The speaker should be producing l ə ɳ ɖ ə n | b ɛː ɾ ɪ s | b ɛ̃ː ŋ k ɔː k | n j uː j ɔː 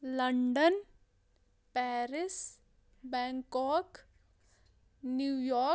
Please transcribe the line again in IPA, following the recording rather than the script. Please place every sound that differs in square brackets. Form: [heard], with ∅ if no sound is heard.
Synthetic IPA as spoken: l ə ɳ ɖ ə n | [p] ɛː ɾ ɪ s | b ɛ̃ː ŋ k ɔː k | n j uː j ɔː

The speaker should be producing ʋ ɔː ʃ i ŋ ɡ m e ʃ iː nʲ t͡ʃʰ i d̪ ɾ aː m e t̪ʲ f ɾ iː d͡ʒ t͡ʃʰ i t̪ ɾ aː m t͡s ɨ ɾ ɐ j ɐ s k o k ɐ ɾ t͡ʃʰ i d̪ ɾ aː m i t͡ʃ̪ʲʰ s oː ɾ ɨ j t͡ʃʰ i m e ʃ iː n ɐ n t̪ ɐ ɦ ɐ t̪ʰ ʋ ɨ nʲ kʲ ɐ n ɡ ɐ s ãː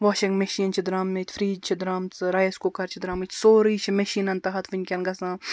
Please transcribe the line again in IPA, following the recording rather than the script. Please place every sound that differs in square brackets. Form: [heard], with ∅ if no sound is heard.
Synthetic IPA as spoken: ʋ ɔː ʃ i ŋ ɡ m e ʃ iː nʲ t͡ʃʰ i d̪ ɾ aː m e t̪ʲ f ɾ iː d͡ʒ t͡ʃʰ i [d̪] ɾ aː m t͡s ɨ ɾ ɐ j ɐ s k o k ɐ ɾ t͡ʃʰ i d̪ ɾ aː m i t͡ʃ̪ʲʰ s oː ɾ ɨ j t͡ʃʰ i m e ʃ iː n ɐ n t̪ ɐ ɦ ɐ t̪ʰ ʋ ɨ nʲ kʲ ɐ n ɡ ɐ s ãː

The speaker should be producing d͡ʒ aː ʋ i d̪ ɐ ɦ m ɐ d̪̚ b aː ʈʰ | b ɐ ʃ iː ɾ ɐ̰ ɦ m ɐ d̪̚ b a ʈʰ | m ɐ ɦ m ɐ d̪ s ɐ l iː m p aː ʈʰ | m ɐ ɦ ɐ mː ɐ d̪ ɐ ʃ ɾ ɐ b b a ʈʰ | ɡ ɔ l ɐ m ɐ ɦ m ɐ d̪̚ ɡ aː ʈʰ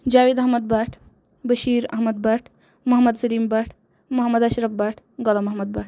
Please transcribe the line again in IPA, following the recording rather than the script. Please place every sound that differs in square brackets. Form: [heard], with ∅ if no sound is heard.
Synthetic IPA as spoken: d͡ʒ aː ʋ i d̪ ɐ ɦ m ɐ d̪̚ b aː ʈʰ | b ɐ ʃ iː ɾ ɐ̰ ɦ m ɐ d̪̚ b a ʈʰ | m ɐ ɦ m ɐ d̪ s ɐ l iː m [b] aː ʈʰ | m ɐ ɦ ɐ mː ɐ d̪ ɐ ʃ ɾ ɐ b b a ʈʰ | ɡ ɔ l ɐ m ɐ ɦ m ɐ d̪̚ [b] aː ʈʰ

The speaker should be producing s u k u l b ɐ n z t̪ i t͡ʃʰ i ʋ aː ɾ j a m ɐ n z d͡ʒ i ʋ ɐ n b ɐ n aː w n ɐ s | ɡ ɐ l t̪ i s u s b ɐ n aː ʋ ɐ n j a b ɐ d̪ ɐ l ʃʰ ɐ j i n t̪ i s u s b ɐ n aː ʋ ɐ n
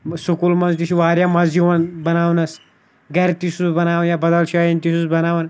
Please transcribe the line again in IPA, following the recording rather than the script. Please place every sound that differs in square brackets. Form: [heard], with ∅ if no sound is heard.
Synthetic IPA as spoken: s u k u l [m] ɐ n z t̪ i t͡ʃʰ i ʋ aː ɾ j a m ɐ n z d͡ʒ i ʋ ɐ n b ɐ n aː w n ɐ s | ɡ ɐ [ɾ] t̪ i s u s b ɐ n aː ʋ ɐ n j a b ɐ d̪ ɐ l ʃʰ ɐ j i n t̪ i s u s b ɐ n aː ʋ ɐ n

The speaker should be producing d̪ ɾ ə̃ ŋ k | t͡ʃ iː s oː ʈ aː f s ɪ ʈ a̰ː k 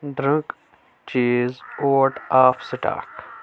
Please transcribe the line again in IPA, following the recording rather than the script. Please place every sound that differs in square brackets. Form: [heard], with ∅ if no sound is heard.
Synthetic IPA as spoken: d̪ ɾ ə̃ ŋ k | t͡ʃ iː [z] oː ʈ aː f s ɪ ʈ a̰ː k

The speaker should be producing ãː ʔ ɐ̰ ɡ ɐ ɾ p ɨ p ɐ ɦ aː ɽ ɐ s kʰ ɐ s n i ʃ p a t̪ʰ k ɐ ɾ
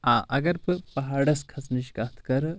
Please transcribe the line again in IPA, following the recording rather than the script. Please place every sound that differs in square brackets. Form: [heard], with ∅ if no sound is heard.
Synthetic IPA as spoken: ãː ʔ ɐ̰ ɡ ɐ ɾ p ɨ p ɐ ɦ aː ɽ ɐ s kʰ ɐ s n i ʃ [k] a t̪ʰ k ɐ ɾ

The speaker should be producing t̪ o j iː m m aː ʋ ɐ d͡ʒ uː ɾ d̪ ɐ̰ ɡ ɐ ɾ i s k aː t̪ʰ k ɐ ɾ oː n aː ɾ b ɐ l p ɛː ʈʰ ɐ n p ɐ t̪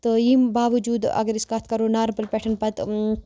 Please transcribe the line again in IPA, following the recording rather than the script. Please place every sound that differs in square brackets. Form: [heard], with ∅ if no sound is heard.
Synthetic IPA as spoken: t̪ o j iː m [b] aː ʋ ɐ d͡ʒ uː [∅] d̪ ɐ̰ ɡ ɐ ɾ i s k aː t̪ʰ k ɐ ɾ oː n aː ɾ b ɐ l p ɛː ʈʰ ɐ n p ɐ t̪

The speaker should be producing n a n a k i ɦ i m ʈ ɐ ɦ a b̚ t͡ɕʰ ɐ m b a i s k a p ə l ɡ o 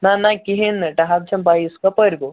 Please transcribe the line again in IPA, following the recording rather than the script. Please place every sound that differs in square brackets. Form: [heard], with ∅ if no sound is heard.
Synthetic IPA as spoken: n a n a k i ɦ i [n] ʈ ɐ ɦ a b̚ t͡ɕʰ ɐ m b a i s k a p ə [ɾ] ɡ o

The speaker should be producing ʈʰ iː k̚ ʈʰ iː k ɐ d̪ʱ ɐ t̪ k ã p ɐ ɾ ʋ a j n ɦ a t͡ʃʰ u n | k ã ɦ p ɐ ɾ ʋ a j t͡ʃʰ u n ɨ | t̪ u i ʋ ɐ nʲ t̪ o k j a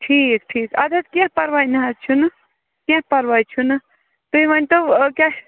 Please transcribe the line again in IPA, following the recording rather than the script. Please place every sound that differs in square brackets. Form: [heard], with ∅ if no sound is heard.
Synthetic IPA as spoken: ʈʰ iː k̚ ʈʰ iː k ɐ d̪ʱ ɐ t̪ k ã p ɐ ɾ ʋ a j n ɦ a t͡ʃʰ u n | k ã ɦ p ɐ ɾ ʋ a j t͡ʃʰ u n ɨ | t̪ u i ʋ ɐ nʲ t̪ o k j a

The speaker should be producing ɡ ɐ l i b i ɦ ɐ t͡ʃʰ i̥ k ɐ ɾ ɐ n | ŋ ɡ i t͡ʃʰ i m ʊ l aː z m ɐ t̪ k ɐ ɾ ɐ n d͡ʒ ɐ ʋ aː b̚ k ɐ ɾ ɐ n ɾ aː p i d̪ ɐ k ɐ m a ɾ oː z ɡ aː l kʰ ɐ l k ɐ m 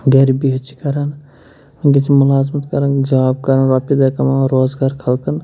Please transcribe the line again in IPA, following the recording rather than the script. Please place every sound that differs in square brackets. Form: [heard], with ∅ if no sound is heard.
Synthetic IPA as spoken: ɡ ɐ [ɾ] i b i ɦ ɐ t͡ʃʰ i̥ k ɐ ɾ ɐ n | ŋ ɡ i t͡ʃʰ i m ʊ l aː z m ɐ t̪ k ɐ ɾ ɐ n d͡ʒ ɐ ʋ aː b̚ k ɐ ɾ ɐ n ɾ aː p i d̪ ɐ k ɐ m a ɾ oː z ɡ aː [ɾ] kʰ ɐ l k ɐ [n]

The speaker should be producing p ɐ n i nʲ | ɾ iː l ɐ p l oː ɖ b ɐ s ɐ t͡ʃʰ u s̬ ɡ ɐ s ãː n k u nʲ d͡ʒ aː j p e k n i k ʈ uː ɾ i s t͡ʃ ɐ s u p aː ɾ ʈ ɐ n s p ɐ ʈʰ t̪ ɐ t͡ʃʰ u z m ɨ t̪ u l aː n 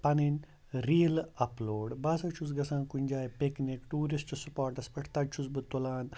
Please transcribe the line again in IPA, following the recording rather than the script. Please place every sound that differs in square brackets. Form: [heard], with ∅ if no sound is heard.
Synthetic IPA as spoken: p ɐ n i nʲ | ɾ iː l ɐ p l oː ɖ b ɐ s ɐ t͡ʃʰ u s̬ ɡ ɐ s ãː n k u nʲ d͡ʒ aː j p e k n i k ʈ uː ɾ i s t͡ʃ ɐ s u p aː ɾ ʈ ɐ [∅] s p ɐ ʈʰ t̪ ɐ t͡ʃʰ u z [b] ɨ t̪ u l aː n

